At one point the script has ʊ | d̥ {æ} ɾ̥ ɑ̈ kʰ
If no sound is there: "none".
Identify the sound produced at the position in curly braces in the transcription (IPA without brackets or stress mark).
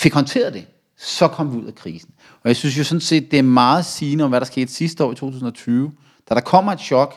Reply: æ